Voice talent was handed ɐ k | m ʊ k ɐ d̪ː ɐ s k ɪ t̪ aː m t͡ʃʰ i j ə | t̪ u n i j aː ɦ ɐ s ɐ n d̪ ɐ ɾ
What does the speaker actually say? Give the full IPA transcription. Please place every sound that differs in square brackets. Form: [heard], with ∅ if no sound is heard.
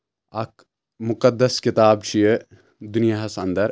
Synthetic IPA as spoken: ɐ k | m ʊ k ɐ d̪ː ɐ s k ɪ t̪ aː [b] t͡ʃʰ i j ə | [d̪] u n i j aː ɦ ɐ s ɐ n d̪ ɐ ɾ